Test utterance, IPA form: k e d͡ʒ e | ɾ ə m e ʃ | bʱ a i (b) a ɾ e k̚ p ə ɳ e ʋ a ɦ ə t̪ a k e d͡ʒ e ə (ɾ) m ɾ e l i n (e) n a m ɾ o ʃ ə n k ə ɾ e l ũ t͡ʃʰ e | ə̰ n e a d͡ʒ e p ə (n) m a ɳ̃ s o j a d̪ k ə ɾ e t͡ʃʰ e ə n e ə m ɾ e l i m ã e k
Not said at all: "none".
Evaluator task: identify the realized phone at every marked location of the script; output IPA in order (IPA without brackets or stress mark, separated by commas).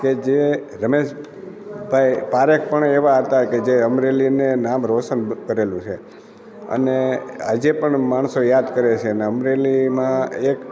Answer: p, none, e, ɳ